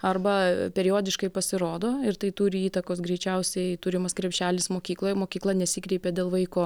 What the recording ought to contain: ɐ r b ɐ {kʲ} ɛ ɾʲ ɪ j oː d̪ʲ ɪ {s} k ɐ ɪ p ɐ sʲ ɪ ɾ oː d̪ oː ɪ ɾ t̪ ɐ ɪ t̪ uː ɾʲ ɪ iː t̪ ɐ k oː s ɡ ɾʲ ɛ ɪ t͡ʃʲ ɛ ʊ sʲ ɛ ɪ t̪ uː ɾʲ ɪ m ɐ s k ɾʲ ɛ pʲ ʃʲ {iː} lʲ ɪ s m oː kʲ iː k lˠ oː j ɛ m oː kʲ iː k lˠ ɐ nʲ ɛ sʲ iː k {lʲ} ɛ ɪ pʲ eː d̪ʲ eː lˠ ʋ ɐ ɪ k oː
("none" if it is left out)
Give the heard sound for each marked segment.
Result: pʲ, ʃ, æː, ɾʲ

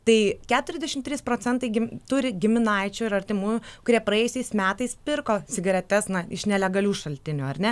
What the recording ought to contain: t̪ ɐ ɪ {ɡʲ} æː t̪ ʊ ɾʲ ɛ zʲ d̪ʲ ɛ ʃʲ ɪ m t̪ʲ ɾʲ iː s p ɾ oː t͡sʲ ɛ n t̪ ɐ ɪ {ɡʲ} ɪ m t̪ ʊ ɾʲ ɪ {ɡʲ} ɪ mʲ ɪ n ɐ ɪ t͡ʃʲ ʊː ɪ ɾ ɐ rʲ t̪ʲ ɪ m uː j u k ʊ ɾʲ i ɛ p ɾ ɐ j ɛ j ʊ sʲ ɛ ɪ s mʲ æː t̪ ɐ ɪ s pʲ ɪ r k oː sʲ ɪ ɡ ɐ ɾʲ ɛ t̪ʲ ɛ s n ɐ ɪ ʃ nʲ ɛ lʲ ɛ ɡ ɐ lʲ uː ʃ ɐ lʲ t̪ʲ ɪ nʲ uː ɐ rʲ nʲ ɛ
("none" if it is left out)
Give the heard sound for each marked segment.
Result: kʲ, ɡʲ, ɡʲ

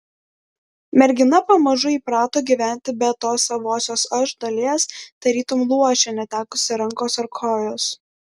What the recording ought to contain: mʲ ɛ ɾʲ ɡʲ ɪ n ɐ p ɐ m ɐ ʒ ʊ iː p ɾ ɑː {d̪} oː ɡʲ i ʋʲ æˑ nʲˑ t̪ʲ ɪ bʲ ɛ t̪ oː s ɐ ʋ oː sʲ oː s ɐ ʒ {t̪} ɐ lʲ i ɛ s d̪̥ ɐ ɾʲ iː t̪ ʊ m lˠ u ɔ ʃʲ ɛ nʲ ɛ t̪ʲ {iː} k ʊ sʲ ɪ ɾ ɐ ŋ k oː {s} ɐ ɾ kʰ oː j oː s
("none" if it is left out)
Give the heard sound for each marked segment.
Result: t̪, d̪, æː, s

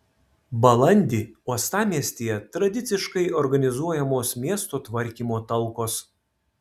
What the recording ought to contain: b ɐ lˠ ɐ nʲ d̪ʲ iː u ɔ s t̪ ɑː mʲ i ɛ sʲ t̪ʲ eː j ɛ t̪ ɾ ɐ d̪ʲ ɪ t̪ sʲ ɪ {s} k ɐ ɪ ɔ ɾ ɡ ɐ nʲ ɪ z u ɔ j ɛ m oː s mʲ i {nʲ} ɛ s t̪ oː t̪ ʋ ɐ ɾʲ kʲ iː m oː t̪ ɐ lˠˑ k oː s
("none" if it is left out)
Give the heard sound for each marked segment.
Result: ʃ, none

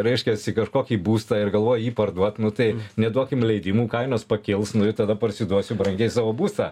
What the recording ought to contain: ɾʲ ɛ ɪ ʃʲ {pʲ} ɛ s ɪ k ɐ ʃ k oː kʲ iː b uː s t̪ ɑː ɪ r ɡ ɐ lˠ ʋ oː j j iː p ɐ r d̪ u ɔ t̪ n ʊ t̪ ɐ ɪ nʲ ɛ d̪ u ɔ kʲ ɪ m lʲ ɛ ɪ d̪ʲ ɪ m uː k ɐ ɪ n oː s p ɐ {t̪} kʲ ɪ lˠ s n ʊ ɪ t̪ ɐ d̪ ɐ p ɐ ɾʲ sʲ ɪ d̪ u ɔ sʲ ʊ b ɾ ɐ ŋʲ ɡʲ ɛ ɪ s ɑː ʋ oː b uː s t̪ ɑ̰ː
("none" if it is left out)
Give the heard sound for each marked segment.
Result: kʲ, none

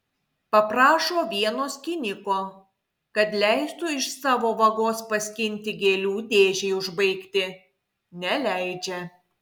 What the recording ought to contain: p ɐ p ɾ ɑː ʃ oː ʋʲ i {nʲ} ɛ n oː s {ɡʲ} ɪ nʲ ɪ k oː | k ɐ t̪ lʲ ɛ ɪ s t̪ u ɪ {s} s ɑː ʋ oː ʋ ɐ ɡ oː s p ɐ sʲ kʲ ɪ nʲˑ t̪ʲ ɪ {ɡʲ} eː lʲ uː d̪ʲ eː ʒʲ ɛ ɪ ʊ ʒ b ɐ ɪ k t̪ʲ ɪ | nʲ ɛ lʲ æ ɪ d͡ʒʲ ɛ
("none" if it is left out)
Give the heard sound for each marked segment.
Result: none, kʲ, ʃ, ɡʲ

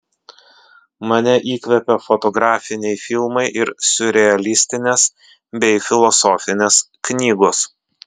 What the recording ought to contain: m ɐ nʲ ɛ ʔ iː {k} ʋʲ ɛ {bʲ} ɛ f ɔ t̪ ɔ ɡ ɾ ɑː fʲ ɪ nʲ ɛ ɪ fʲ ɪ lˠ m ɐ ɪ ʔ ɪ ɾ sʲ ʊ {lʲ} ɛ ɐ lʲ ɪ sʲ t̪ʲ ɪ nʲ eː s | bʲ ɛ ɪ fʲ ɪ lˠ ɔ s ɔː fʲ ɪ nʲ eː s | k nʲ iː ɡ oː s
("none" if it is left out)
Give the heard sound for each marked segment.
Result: k, pʲ, ɾʲ

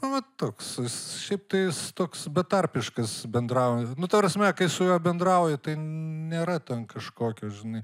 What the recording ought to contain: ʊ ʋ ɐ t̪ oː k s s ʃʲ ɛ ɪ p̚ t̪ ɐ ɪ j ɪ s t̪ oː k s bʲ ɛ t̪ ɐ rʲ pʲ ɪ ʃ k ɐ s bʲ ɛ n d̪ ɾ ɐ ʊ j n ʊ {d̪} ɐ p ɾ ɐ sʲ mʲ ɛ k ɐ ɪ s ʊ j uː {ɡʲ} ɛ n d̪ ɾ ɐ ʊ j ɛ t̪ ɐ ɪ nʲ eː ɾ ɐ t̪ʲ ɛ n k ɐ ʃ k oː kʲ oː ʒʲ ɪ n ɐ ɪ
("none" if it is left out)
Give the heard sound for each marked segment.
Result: t̪, bʲ

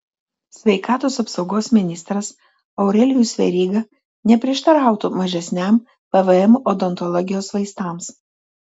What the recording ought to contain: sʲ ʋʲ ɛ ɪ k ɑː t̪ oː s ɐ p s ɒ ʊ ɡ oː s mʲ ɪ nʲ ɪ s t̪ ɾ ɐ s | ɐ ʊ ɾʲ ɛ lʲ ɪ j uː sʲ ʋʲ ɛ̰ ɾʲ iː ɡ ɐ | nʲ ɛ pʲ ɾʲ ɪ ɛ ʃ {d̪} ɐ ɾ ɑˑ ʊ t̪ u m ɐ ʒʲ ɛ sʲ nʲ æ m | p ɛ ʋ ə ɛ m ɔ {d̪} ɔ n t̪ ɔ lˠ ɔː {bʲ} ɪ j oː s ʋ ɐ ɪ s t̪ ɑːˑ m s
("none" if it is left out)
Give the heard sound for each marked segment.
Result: t̪, d̪, ɡʲ

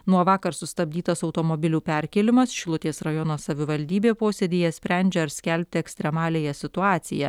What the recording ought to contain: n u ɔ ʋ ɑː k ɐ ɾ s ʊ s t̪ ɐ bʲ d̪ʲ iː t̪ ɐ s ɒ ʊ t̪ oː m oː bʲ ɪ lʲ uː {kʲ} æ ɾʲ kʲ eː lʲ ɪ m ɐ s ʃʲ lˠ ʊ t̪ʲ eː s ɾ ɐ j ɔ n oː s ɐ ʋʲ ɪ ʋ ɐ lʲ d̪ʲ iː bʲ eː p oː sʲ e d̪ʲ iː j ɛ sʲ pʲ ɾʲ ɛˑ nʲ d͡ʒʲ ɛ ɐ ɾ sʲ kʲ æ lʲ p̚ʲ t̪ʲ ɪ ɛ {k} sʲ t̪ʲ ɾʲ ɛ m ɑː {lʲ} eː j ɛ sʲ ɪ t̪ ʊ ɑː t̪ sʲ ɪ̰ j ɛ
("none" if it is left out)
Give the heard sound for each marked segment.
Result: pʲ, k, lʲ

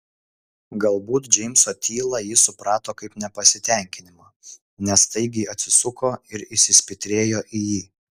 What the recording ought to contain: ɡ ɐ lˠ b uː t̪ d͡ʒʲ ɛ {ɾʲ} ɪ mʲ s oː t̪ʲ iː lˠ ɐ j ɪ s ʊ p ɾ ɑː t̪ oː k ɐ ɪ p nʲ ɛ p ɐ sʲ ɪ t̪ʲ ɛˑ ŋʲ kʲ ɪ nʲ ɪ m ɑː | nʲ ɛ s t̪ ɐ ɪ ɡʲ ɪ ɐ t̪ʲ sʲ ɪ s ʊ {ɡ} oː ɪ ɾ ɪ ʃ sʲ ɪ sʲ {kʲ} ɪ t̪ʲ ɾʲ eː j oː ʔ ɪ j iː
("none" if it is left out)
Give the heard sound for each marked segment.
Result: none, k, pʲ

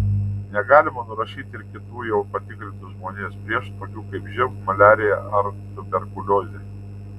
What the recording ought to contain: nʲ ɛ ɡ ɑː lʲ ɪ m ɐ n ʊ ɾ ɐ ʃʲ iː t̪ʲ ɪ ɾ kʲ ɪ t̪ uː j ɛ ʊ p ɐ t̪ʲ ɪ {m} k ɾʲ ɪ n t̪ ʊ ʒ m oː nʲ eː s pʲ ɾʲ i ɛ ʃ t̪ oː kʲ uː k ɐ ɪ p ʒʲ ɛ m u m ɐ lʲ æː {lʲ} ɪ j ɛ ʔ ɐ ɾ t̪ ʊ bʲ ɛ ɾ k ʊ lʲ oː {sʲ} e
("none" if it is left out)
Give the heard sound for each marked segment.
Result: none, ɾʲ, zʲ

